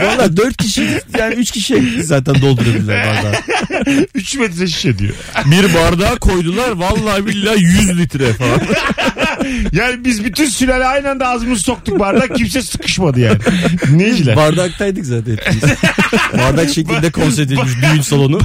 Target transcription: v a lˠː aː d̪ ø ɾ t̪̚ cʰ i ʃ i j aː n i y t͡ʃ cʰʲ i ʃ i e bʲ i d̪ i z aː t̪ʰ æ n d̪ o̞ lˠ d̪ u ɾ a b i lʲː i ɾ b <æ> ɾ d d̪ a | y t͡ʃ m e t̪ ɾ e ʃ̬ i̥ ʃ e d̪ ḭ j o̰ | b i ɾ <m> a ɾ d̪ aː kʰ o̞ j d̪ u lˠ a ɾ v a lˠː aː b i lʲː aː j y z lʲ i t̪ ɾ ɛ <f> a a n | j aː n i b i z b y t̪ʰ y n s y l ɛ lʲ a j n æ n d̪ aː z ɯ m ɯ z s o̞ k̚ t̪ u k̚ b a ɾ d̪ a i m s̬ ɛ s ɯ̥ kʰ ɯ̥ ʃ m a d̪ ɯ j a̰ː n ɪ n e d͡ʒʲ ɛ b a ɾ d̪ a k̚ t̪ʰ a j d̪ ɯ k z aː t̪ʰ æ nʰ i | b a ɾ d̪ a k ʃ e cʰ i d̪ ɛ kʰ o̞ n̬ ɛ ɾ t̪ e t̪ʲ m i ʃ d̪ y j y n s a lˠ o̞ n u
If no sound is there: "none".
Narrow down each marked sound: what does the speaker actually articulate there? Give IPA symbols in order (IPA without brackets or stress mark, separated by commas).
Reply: a, b, f